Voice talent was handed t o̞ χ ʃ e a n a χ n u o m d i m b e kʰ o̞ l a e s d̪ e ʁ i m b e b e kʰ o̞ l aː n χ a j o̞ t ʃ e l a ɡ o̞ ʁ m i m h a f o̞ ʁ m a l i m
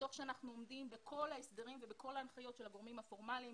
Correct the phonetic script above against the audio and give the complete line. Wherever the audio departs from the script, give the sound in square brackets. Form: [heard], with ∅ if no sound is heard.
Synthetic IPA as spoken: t o̞ χ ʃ e a n a χ n u o m d i m b e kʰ o̞ l a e s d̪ e ʁ i m [v] e b e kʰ o̞ l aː n χ a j o̞ t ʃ e l a ɡ o̞ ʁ m i m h a f o̞ ʁ m a l i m